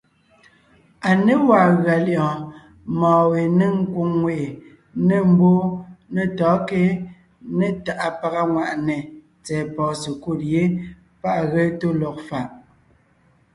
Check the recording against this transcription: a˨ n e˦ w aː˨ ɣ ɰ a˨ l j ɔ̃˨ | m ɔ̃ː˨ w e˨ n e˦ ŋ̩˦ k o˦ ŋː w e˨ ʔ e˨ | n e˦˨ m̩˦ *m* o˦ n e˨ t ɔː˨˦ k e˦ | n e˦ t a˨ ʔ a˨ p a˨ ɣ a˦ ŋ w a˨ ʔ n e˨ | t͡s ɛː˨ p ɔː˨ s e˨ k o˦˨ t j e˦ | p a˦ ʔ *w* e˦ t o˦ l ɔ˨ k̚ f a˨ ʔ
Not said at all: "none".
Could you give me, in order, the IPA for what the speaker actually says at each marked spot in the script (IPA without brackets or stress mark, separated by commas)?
b, ɣ